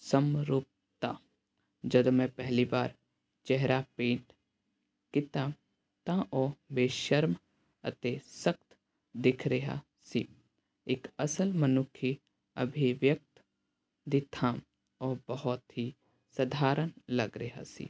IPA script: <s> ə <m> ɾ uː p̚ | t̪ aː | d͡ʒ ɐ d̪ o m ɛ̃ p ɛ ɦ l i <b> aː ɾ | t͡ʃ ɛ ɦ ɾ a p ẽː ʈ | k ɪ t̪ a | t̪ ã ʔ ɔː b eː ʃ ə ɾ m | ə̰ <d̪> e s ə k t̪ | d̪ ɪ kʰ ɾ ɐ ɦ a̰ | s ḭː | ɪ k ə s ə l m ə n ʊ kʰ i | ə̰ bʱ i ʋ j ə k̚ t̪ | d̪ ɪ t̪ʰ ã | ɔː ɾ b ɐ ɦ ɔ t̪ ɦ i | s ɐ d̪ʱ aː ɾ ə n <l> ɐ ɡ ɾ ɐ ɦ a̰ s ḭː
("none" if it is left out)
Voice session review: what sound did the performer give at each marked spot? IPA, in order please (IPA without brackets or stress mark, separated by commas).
s, m, b, t̪, l